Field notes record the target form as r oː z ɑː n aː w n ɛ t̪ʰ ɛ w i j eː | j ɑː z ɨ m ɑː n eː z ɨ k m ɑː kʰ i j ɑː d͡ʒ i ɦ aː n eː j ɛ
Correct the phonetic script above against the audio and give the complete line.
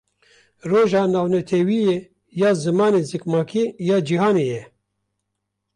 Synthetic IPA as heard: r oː ʒ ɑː n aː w n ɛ t̪ʰ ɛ w i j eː | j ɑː z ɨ m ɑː n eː z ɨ k m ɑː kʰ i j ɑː d͡ʒ i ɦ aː n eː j ɛ